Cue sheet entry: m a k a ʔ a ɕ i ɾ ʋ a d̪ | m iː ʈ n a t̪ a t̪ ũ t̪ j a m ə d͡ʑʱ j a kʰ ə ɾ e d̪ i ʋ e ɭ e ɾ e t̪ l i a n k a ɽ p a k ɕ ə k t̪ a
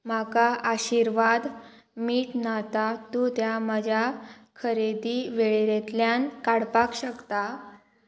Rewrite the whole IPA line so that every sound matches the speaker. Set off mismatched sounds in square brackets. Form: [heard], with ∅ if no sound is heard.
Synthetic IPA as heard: m a k a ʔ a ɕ i ɾ ʋ a d̪ | m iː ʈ n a t̪ a t̪ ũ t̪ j a m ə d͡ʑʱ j a kʰ ə ɾ e d̪ i ʋ e ɭ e ɾ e t̪ l [j] a n k a ɽ p a k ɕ ə k t̪ a

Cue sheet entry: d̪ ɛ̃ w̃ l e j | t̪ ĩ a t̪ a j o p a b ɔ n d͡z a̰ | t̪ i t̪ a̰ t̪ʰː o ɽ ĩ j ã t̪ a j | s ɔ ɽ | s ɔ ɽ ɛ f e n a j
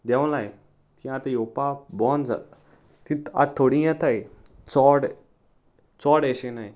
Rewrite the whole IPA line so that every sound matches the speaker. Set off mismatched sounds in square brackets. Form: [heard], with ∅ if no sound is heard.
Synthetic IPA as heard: d̪ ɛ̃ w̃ l [a] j | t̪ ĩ a t̪ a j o p a b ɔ n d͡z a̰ | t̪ i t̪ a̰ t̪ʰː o ɽ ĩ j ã t̪ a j | [t͡s] ɔ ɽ | [t͡s] ɔ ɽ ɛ [ɕ] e n a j

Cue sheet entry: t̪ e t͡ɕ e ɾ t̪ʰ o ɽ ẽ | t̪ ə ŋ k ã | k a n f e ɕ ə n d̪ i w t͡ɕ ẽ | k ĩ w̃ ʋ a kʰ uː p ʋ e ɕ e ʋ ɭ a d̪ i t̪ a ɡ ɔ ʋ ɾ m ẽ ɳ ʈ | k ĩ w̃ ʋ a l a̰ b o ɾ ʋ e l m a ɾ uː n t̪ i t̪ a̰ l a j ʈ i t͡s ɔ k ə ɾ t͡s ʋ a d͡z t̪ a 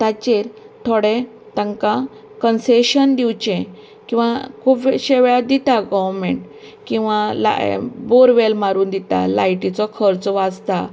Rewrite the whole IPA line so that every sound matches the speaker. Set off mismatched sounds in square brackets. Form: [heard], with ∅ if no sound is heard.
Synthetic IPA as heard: t̪ [a] t͡ɕ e ɾ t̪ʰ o ɽ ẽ | t̪ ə ŋ k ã | k [ə] n [s] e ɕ ə n d̪ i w t͡ɕ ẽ | k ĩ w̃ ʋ a kʰ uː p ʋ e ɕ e ʋ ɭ a d̪ i t̪ a ɡ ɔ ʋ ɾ m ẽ ɳ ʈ | k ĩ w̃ ʋ a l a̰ b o ɾ ʋ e l m a ɾ uː n [d̪] i t̪ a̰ l a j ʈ i t͡s ɔ [kʰ] ə ɾ t͡s ʋ a d͡z t̪ a

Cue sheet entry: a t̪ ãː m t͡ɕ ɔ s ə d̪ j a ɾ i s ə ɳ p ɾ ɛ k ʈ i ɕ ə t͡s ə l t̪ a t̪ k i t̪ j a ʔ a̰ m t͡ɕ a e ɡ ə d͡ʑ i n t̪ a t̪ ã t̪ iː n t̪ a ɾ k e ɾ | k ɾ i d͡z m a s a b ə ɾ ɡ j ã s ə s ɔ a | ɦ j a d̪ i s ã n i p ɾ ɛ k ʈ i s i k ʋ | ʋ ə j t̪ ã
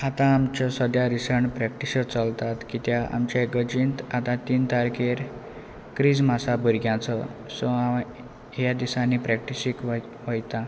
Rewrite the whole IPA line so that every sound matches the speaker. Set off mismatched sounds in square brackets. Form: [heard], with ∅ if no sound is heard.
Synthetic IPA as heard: a t̪ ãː m t͡ɕ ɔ s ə d̪ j a ɾ i s ə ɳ p ɾ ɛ k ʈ i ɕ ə t͡s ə l t̪ a t̪ k i t̪ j a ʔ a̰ m t͡ɕ a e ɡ ə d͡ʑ i n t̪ a t̪ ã t̪ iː n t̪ a ɾ k e ɾ | k ɾ i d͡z m a s a b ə ɾ ɡ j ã [t͡s] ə s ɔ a | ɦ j a d̪ i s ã n i p ɾ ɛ k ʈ i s i k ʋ | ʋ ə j t̪ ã

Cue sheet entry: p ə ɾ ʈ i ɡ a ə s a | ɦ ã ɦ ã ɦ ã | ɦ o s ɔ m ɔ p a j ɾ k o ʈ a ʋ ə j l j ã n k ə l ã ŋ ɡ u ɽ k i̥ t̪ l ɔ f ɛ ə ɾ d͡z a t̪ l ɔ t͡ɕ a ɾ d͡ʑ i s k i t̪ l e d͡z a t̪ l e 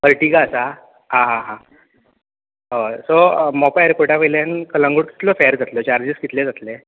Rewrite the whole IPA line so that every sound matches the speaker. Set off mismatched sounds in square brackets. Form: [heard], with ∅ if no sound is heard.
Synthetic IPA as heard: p ə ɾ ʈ i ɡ a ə s a | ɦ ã ɦ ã ɦ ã | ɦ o s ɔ m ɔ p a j ɾ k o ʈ a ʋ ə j l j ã n k ə l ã ŋ ɡ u ɽ k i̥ t̪ l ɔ f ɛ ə ɾ d͡z a t̪ l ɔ t͡ɕ a ɾ d͡ʑ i s k i t̪ l e d͡z a t̪ l e

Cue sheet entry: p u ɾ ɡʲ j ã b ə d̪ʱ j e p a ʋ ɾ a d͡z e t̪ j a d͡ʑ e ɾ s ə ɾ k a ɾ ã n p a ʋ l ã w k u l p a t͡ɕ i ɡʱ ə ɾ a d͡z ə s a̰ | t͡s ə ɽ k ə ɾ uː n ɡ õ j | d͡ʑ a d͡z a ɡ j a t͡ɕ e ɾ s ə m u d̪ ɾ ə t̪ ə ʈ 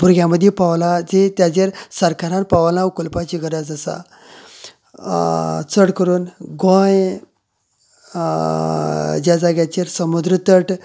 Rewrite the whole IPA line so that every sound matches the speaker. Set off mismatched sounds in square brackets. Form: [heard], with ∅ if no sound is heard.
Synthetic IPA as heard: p u ɾ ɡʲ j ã [m] ə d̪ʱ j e p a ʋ [l] a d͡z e t̪ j a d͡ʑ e ɾ s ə ɾ k a ɾ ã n p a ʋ l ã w k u l p a t͡ɕ i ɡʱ ə ɾ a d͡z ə s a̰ | t͡s ə ɽ k ə ɾ uː n ɡ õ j | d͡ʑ a d͡z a ɡ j a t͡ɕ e ɾ s ə m u d̪ ɾ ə t̪ ə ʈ

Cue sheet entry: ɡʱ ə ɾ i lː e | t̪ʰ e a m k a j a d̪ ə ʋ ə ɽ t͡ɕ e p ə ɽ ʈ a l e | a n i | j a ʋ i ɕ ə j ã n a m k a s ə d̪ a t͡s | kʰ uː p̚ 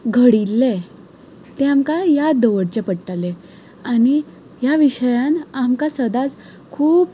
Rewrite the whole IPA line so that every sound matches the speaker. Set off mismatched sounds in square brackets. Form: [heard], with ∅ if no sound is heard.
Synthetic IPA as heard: ɡʱ ə [ɽ] i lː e | [t̪] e a m k a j a d̪ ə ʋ ə ɽ t͡ɕ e p ə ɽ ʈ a l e | a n i | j a ʋ i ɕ ə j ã n a m k a s ə d̪ a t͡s | kʰ uː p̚

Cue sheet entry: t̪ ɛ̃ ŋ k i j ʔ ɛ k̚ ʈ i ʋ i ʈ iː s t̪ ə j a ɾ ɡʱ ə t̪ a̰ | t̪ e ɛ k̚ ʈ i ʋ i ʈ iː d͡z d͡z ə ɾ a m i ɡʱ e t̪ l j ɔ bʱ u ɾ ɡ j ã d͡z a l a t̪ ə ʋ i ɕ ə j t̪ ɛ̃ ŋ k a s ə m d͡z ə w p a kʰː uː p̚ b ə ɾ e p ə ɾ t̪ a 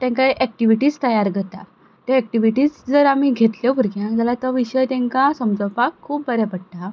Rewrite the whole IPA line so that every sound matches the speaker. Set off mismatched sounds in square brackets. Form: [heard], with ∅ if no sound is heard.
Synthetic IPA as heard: t̪ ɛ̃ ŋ k [a] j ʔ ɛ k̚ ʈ i ʋ i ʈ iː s t̪ ə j a ɾ ɡʱ ə t̪ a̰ | t̪ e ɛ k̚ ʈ i ʋ i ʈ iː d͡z d͡z ə ɾ a m i ɡʱ e t̪ l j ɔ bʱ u ɾ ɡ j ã d͡z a l a t̪ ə ʋ i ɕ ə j t̪ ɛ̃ ŋ k a s ə m d͡z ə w p a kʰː uː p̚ b ə ɾ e p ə [ɽ] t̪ a

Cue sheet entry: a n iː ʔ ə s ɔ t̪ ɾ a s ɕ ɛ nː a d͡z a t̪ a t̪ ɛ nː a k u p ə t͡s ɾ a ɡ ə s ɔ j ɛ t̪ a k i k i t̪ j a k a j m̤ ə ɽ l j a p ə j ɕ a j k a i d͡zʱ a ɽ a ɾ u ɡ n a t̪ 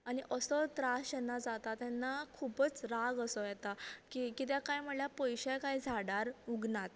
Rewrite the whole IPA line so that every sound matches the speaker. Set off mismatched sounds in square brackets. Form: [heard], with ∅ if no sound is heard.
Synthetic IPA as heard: a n [i] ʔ ə s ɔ t̪ ɾ a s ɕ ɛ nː a d͡z a t̪ a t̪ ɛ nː a [kʰ] u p ə t͡s ɾ a ɡ ə s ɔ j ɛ t̪ a k i k i t̪ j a k a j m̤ ə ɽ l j a p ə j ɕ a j k a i d͡zʱ a ɽ a ɾ u ɡ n a t̪

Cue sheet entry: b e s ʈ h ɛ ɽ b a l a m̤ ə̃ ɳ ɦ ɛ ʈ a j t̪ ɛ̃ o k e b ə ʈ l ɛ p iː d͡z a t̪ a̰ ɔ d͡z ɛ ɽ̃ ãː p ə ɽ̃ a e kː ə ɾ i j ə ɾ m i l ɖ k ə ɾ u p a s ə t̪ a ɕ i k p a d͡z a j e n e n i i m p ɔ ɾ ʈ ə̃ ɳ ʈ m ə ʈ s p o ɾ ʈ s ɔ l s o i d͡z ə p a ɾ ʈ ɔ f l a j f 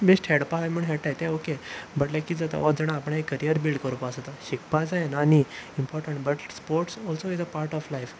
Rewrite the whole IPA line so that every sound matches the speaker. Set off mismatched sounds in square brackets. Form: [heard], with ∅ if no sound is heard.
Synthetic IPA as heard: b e s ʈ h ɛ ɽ [p] a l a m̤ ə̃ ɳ ɦ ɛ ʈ a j t̪ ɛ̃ o k e b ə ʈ l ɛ [k] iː d͡z a t̪ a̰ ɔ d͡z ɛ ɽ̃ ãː p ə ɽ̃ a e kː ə ɾ i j ə ɾ [b] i l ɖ k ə ɾ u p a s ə t̪ a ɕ i k p a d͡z a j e n [a] n i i m p ɔ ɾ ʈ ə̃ ɳ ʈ [b] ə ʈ s p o ɾ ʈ s ɔ l s o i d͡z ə p a ɾ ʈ ɔ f l a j f

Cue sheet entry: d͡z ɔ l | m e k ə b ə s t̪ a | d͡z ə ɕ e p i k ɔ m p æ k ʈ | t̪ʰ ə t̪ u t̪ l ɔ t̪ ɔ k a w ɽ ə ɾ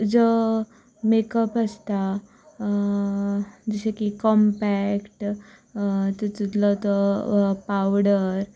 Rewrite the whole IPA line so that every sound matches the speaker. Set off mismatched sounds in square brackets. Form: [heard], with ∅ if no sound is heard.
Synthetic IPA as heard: d͡z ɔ [∅] | m e k ə [p] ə s t̪ a | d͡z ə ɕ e [k] i k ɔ m p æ k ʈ | [t̪] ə t̪ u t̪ l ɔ t̪ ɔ [p] a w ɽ ə ɾ

